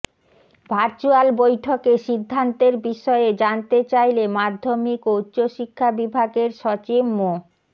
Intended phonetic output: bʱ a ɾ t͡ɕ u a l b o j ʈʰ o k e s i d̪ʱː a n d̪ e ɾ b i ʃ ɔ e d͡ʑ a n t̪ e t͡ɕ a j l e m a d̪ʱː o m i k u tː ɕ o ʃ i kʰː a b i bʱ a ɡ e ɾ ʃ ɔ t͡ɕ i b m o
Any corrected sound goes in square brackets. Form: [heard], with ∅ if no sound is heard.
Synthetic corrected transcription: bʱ a ɾ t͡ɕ u a l b o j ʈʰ o k e [ʃ] i d̪ʱː a n [t̪] e ɾ b i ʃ ɔ e d͡ʑ a n t̪ e t͡ɕ a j l e m a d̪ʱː o m i k u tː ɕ o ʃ i kʰː a b i bʱ a ɡ e ɾ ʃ ɔ t͡ɕ i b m o